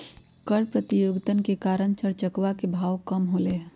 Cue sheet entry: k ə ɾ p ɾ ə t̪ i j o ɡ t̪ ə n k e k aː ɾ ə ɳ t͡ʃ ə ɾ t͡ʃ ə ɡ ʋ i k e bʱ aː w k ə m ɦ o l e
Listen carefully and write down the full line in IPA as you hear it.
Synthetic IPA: k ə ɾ p ɾ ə t̪ i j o ɡ t̪ ə n k e k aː ɾ ə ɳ t͡ʃ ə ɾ t͡ʃ ə k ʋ a k e bʱ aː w k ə m ɦ o l e